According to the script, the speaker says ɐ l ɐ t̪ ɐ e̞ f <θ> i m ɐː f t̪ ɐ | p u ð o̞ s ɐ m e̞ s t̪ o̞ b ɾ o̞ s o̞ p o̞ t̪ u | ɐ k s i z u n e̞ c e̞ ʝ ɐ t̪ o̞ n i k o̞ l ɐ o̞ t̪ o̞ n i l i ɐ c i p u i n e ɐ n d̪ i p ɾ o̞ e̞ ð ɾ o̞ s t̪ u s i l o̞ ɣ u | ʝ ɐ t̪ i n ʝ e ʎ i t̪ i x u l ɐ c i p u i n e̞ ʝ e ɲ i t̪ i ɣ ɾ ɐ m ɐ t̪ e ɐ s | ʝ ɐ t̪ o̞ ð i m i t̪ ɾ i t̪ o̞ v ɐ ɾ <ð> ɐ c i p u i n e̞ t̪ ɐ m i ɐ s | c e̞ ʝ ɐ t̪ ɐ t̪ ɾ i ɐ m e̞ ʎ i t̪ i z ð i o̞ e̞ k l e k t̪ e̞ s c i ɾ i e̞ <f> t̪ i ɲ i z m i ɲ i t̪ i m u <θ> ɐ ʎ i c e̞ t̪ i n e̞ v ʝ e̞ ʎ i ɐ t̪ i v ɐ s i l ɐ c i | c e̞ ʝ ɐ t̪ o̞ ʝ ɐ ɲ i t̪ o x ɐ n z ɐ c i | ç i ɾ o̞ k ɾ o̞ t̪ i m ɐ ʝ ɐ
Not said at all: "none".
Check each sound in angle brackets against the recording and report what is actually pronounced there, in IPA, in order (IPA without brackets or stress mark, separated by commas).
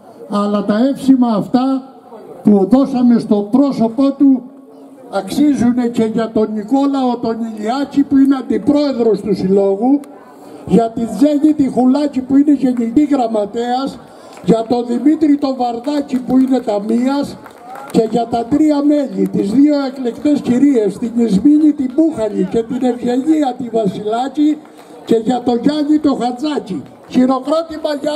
s, ð, s, x